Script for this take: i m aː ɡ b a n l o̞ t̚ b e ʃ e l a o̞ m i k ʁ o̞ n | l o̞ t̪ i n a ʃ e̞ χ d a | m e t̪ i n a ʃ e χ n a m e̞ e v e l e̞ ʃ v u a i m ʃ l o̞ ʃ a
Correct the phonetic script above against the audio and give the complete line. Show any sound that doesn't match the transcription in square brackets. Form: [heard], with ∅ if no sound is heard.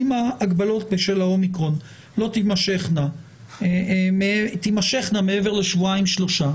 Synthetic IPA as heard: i m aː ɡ b a [∅] l o̞ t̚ b e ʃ e l a o̞ m i k ʁ o̞ n | l o̞ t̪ i [m] a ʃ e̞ χ [n] a | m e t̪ i [m] a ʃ e χ n a m e̞ e v e l e̞ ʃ v u a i m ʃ l o̞ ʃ a